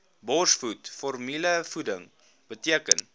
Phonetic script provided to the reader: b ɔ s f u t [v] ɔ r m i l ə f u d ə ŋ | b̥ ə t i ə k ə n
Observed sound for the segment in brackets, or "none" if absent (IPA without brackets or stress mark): f